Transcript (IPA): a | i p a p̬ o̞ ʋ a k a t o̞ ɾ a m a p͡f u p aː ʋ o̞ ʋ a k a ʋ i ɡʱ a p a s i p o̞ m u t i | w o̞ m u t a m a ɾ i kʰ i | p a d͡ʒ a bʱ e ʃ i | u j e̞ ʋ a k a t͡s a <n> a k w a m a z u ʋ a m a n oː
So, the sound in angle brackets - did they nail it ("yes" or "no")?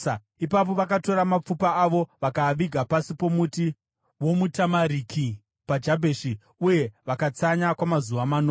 no